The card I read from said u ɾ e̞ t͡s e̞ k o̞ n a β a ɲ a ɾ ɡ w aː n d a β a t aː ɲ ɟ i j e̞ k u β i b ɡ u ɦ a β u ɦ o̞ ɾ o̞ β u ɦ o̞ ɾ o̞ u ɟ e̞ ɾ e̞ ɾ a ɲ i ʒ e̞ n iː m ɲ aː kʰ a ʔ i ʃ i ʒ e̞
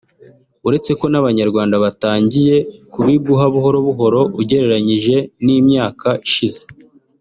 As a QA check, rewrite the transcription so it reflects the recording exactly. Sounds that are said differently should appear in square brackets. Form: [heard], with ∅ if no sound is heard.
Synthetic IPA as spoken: u ɾ e̞ t͡s e̞ k o̞ n a β a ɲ a ɾ ɡ w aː n d a β a t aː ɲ ɟ i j e̞ k u β i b ɡ u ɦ a β u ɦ o̞ ɾ o̞ β u ɦ o̞ ɾ o̞ u ɟ e̞ ɾ e̞ ɾ a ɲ i ʒ e̞ n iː m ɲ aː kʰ a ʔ i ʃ i [z] e̞